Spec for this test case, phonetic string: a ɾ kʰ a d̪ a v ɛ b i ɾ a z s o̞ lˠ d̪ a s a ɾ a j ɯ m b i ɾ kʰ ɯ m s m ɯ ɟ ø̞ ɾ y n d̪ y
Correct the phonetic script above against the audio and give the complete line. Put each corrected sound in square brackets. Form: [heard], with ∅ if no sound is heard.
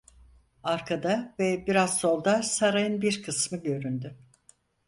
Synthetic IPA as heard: a ɾ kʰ a d̪ a v ɛ b i ɾ a z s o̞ lˠ d̪ a s a ɾ a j ɯ [n] b i ɾ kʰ ɯ [∅] s m ɯ ɟ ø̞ ɾ y n d̪ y